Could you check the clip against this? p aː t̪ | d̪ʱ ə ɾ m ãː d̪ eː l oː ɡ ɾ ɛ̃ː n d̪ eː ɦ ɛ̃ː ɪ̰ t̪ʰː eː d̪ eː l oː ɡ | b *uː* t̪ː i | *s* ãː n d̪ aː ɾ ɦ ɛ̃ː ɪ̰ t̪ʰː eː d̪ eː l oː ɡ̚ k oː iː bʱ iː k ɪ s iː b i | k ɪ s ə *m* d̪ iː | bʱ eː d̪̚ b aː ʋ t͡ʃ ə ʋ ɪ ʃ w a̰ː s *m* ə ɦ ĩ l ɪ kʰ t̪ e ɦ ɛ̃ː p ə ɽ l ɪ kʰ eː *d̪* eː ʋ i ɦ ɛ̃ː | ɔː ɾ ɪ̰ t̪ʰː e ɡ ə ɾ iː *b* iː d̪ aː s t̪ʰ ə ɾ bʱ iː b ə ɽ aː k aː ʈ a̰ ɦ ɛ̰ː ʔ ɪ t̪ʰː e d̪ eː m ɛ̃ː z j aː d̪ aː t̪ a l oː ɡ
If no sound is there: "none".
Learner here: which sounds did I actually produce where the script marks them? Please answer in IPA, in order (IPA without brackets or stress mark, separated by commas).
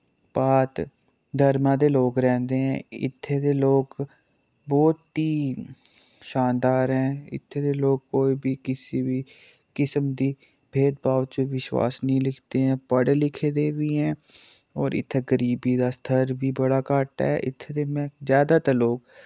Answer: ɔː, ʃ, m, n, d̪, b